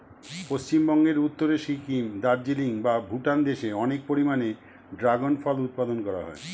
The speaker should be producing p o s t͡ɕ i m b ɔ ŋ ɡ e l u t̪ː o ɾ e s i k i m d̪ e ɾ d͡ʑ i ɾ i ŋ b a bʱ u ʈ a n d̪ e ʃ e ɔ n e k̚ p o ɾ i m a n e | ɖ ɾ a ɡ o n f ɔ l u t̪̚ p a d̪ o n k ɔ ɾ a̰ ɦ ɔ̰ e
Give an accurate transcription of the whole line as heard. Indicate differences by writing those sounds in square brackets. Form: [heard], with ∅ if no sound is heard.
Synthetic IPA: p o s t͡ɕ i m b ɔ ŋ ɡ e [ɾ] u t̪ː o ɾ e [ʃ] i k i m d̪ [a] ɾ d͡ʑ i [l] i ŋ b a bʱ u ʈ a n d̪ e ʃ e ɔ n e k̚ p o ɾ i m a n e | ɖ ɾ a ɡ o n f ɔ l u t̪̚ p a d̪ o n k ɔ ɾ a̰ ɦ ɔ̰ e